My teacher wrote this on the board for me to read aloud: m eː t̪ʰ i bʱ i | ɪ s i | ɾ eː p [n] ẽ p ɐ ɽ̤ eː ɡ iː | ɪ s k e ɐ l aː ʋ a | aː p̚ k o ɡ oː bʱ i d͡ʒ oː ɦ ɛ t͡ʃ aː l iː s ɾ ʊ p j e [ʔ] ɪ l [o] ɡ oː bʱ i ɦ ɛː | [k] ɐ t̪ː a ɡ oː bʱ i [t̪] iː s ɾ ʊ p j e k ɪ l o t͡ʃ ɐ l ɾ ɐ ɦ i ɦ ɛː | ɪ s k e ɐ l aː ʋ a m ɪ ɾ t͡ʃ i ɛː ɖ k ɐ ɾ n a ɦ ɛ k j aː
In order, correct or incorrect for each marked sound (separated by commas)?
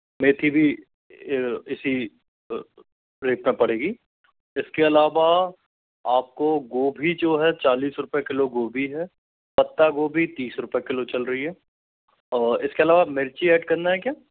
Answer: incorrect, incorrect, correct, incorrect, correct